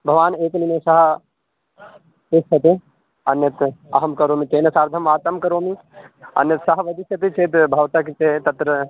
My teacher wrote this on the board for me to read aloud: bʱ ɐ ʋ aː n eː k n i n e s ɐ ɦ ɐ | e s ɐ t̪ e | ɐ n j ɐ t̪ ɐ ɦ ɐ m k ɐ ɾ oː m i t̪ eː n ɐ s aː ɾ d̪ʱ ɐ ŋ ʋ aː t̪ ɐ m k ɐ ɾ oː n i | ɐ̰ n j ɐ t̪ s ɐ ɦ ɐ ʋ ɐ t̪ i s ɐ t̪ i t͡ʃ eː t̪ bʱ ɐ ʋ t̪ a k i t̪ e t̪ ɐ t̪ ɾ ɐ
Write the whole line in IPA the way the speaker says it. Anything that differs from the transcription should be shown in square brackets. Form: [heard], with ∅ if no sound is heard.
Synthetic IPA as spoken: bʱ ɐ ʋ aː n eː k n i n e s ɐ ɦ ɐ | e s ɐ t̪ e | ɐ n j ɐ t̪ ɐ ɦ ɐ m k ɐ ɾ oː m i t̪ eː n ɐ s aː ɾ d̪ʱ ɐ [m] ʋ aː t̪ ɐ m k ɐ ɾ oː [m] i | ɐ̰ n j ɐ t̪ s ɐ ɦ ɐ ʋ ɐ [d̪] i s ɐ t̪ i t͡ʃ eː t̪ bʱ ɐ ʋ t̪ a k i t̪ e t̪ ɐ t̪ ɾ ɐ

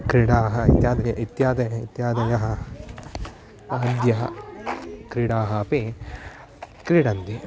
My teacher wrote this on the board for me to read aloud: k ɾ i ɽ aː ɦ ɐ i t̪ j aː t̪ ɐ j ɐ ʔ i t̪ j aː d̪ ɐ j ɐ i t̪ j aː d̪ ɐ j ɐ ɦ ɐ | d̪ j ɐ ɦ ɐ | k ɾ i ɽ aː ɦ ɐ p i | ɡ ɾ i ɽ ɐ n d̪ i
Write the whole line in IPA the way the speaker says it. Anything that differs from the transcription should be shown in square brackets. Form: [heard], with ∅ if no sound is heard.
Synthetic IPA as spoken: k ɾ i ɽ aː ɦ ɐ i t̪ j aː [d̪] ɐ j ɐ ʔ i t̪ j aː d̪ ɐ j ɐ i t̪ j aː d̪ ɐ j ɐ ɦ ɐ | d̪ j ɐ ɦ ɐ | k ɾ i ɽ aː ɦ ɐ p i | [k] ɾ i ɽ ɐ n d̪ i

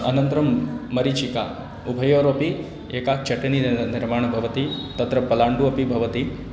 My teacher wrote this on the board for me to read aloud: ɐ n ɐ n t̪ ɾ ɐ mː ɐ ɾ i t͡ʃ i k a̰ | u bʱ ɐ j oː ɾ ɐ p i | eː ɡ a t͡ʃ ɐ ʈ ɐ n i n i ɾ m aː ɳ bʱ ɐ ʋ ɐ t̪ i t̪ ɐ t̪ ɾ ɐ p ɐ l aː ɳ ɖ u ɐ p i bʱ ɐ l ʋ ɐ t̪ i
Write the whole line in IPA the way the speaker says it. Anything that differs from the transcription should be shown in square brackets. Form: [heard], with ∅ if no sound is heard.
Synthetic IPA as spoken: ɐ n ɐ n t̪ ɾ ɐ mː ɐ ɾ i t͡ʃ i k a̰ | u bʱ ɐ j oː ɾ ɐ p i | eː [k] a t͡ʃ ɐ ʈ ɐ n i n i ɾ m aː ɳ bʱ ɐ ʋ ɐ t̪ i t̪ ɐ t̪ ɾ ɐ p ɐ l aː ɳ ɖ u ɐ p i bʱ ɐ [∅] ʋ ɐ t̪ i

